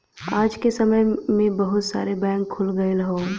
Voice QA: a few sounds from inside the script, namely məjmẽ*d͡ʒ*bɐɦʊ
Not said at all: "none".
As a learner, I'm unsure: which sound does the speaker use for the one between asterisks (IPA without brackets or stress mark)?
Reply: none